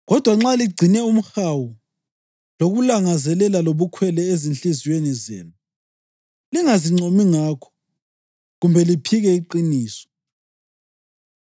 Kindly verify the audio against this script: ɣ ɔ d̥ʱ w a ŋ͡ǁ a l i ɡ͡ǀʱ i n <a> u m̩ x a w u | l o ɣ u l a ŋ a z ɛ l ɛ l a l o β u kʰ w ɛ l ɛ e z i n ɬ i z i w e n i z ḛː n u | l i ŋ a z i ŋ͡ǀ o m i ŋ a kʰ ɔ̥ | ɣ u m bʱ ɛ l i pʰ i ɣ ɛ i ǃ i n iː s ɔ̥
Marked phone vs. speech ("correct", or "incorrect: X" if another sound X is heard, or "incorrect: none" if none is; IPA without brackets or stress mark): incorrect: ɛ